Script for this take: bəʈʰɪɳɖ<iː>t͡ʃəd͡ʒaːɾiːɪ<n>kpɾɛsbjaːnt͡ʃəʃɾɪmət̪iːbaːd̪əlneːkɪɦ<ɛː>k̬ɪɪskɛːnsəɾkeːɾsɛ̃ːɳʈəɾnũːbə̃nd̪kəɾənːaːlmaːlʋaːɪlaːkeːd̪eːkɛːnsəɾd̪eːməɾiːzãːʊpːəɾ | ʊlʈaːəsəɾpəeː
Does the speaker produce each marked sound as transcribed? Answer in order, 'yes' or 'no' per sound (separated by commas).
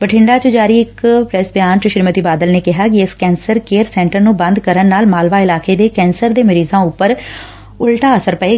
no, no, no